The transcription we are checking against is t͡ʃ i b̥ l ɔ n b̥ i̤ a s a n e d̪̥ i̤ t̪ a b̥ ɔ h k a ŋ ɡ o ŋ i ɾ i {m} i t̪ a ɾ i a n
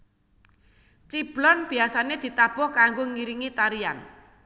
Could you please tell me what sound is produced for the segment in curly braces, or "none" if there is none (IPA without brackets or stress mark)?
ŋ